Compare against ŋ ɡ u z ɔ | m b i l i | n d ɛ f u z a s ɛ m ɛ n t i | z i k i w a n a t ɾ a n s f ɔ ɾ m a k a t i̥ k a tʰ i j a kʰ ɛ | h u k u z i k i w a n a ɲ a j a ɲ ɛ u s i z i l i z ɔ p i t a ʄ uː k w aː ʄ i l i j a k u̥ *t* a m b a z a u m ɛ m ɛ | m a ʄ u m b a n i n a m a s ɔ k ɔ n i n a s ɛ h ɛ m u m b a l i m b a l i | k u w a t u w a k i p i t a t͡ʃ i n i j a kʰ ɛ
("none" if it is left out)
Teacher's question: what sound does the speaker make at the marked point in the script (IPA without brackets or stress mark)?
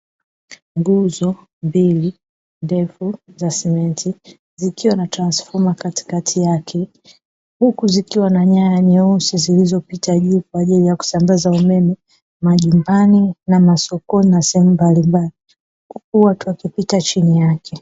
s